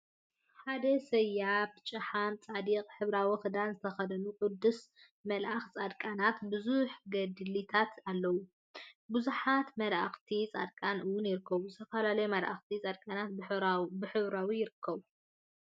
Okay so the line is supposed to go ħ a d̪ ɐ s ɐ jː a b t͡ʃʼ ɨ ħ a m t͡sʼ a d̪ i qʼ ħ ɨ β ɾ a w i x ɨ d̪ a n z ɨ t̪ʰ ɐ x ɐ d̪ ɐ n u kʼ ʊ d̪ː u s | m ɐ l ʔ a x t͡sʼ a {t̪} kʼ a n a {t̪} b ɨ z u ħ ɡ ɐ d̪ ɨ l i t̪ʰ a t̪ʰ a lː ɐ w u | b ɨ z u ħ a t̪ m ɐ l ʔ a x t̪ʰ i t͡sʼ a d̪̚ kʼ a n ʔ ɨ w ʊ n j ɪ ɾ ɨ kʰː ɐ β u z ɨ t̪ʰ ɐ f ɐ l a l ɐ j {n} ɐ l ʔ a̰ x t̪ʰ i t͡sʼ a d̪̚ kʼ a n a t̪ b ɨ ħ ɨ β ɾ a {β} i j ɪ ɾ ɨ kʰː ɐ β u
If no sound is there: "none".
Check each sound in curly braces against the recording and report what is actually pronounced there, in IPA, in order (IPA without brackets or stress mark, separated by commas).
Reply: d̪, t̪, m, w